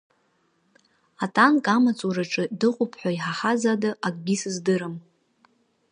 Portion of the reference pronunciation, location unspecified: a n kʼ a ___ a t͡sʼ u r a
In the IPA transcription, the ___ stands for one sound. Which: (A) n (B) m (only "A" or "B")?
B